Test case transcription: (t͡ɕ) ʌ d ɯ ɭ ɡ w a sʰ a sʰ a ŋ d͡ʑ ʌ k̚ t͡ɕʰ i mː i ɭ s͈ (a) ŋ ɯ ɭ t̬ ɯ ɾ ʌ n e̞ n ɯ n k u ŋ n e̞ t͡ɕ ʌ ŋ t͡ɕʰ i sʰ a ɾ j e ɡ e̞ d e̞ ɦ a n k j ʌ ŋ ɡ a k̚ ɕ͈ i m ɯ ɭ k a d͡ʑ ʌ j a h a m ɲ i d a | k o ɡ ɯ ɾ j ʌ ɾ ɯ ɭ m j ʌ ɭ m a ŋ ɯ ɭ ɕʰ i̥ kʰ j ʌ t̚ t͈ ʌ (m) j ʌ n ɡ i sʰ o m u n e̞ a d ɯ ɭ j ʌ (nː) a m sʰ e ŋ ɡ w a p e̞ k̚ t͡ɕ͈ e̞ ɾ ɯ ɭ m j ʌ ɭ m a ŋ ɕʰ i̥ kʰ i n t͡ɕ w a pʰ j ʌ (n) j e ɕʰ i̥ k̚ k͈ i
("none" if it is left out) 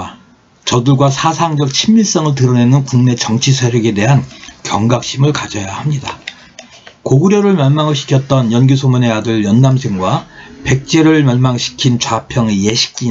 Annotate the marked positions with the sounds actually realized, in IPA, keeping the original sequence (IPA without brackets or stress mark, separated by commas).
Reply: t͡ɕ, ʌ, n, nː, ŋ